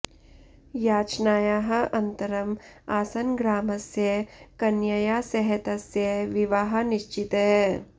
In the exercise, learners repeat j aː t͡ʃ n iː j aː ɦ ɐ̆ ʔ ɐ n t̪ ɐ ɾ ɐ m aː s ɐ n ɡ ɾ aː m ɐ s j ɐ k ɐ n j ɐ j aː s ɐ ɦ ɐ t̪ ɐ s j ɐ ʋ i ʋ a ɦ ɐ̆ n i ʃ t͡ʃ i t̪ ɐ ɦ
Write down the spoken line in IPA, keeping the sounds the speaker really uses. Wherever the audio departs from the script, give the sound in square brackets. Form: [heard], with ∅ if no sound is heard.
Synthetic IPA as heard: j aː t͡ʃ n [aː] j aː ɦ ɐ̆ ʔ ɐ n t̪ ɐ ɾ ɐ m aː s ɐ n ɡ ɾ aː m ɐ s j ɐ k ɐ n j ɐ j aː s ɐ ɦ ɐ t̪ ɐ s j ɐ ʋ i ʋ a ɦ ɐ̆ n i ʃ t͡ʃ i t̪ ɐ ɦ